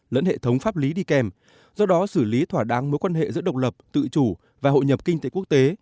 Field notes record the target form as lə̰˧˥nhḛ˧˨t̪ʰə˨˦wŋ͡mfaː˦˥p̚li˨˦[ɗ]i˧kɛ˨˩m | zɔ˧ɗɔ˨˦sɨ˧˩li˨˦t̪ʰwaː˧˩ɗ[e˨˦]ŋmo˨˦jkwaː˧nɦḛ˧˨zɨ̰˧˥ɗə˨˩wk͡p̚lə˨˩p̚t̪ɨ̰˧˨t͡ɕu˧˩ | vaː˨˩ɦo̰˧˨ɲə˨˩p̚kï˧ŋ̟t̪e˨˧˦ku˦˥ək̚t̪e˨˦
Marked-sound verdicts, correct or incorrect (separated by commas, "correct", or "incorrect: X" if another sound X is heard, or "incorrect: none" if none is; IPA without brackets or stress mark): correct, incorrect: a˨˦